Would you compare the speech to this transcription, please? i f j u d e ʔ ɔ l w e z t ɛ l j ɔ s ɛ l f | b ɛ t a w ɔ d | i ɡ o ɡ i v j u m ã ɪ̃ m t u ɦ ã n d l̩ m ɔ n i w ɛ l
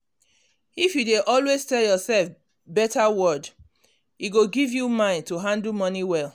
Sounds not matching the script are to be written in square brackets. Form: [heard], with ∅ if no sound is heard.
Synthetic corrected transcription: i f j u d e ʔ ɔ l w e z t ɛ l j ɔ s ɛ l f | b ɛ t a w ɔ d | i ɡ o ɡ i v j u m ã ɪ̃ [n] t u ɦ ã n d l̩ m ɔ n i w ɛ l